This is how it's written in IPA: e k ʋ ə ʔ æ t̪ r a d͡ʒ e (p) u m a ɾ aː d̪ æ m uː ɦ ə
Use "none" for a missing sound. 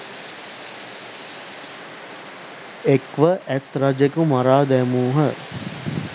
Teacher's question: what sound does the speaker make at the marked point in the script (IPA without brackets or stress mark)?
k